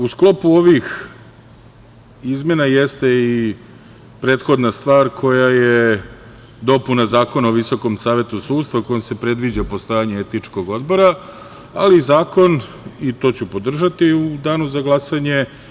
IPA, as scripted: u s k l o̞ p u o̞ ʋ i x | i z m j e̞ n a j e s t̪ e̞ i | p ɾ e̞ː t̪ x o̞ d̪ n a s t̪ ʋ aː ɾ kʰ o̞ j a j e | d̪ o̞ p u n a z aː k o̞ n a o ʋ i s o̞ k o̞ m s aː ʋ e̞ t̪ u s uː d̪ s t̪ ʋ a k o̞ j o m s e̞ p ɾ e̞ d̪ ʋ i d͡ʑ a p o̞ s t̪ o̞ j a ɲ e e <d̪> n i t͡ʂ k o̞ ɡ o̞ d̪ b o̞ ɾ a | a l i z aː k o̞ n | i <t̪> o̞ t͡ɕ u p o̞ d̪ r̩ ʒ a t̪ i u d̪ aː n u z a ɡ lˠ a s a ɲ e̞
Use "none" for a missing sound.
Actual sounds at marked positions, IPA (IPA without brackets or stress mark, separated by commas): t̪, t̪